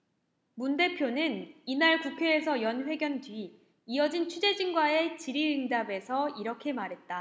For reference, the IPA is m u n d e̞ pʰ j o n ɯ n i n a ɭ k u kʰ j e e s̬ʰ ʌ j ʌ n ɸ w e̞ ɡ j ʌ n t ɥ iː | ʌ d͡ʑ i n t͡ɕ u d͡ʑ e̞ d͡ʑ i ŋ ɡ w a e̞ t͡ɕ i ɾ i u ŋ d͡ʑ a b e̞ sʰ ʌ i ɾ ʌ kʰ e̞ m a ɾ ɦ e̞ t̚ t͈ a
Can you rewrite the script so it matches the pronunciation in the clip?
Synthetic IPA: m u n d e̞ pʰ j o n ɯ n i n a ɭ k u kʰ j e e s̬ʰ ʌ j ʌ n ɸ w e̞ ɡ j ʌ n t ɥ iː | ʌ d͡ʑ i n t͡ɕʰ u d͡ʑ e̞ d͡ʑ i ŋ ɡ w a e̞ t͡ɕ i ɾ i ɯ ŋ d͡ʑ a b e̞ sʰ ʌ i ɾ ʌ kʰ e̞ m a ɾ ɦ e̞ t̚ t͈ a